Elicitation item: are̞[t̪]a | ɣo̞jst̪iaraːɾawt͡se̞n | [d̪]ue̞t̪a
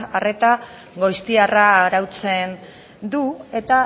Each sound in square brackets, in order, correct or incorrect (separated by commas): correct, correct